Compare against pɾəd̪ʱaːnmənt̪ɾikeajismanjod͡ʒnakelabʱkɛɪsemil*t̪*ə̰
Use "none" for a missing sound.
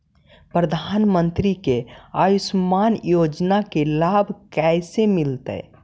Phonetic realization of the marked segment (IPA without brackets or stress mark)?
t̪